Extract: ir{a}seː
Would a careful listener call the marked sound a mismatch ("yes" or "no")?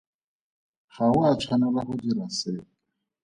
no